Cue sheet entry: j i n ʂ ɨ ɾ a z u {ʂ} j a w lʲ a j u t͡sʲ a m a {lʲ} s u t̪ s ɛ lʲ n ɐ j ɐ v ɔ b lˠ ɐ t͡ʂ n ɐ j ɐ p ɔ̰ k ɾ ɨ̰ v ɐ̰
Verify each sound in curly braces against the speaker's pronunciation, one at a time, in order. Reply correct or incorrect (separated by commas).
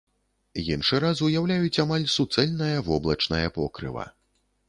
incorrect, correct